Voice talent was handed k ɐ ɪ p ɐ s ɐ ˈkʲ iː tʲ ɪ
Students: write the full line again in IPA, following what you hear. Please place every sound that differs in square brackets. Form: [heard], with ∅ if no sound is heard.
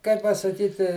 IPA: k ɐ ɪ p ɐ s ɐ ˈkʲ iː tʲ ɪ